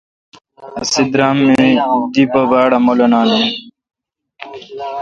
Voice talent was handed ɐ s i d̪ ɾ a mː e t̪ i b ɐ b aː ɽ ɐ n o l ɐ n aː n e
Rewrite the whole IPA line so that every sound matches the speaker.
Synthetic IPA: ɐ s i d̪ ɾ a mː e d̪ i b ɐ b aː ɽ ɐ m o l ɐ n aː n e